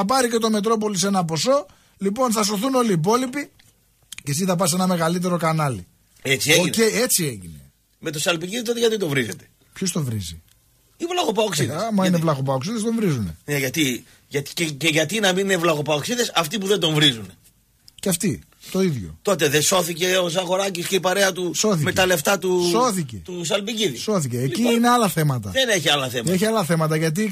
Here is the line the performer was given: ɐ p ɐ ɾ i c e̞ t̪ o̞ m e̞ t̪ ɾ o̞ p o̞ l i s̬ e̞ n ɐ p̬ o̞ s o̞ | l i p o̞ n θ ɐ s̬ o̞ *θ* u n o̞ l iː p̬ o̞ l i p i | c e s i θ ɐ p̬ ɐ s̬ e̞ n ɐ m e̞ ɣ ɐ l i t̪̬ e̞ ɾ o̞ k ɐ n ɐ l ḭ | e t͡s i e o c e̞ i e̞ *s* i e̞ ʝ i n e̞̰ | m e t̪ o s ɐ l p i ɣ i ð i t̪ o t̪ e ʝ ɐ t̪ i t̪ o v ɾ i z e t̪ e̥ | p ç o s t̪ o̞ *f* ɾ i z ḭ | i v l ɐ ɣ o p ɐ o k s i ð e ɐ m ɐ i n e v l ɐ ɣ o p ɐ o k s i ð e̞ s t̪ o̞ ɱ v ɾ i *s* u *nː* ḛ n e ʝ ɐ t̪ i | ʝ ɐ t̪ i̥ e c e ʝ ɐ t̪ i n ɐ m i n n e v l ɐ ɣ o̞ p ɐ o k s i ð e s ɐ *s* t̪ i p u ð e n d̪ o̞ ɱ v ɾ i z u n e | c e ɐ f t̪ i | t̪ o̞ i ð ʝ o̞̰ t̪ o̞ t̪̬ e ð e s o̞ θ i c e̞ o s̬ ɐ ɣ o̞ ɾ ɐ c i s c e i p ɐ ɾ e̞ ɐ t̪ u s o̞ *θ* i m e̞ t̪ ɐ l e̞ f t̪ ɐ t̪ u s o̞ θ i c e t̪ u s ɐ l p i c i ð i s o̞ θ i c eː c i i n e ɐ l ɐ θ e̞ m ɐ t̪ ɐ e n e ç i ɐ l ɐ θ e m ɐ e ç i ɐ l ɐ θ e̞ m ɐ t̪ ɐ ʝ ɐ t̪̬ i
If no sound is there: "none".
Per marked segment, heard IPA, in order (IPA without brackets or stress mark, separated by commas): θ, t͡s, v, z, n, f, θ